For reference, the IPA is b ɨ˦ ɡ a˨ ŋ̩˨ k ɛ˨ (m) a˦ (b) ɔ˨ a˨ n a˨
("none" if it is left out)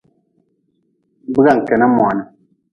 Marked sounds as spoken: n, m

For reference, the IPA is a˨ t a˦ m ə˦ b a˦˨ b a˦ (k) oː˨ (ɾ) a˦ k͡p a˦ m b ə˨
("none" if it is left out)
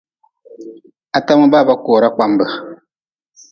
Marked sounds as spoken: k, ɾ

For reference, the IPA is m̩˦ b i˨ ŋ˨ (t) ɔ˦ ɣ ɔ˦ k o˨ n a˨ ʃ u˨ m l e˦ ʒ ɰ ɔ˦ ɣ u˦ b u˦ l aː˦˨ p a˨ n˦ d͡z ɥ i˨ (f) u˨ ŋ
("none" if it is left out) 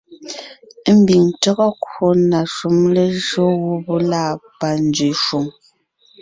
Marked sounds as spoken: t, ʃ

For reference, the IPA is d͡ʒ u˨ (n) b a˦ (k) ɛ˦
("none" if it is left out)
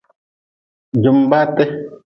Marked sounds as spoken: m, t

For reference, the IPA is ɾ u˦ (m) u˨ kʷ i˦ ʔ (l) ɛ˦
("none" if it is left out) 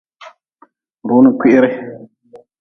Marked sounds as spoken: n, ɾ

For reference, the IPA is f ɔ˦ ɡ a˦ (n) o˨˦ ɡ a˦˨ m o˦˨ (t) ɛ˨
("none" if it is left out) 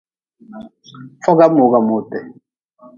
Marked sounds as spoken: m, t

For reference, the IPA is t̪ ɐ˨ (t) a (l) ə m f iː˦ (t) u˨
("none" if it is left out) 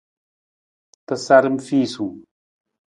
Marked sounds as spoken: s, ɾ, s

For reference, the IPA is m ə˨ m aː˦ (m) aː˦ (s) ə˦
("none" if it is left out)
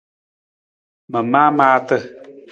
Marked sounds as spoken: m, t

